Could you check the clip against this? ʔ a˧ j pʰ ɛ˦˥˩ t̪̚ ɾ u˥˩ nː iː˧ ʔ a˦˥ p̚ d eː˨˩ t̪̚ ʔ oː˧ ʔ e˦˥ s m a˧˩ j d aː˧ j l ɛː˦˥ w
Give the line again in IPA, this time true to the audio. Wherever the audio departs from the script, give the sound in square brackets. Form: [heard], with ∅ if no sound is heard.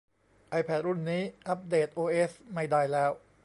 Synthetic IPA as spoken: ʔ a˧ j pʰ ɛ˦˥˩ t̪̚ ɾ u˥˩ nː [iː˦˥] ʔ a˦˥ p̚ d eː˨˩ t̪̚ ʔ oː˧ ʔ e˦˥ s m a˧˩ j d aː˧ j l ɛː˦˥ w